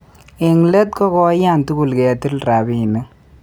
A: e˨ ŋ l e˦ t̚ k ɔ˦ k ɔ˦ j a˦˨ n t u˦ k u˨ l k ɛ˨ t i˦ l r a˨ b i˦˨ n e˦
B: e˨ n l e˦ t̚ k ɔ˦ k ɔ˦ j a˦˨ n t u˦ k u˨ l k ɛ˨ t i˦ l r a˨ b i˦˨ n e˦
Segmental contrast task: A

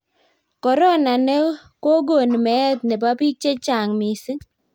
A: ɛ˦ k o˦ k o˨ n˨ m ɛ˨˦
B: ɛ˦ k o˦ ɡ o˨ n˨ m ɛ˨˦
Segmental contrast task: B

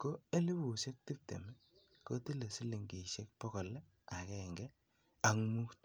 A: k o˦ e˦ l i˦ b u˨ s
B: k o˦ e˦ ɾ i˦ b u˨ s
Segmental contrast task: A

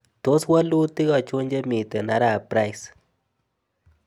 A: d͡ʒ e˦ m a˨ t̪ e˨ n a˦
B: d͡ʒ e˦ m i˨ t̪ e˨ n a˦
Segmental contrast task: B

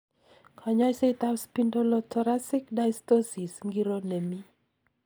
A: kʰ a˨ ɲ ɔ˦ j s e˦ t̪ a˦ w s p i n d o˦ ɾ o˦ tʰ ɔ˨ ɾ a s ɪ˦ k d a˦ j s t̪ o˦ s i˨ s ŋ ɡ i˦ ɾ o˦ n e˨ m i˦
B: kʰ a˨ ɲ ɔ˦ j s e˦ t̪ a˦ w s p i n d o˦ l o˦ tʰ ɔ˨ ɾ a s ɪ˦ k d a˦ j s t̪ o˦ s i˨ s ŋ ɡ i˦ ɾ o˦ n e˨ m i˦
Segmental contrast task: B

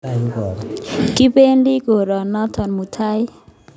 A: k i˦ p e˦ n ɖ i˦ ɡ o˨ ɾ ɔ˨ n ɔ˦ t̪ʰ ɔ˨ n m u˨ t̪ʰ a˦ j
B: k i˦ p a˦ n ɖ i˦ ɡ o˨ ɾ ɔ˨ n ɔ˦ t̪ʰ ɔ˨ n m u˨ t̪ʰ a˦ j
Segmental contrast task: A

